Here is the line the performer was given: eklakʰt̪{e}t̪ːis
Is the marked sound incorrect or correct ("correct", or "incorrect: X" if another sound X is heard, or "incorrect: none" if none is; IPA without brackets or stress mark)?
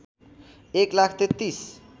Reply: correct